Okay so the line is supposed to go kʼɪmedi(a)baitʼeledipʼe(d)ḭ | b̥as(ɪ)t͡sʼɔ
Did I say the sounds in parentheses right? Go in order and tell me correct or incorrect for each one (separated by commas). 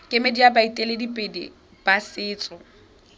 correct, correct, incorrect